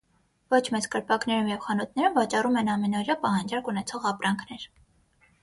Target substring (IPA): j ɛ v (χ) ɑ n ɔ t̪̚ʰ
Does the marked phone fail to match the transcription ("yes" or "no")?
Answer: no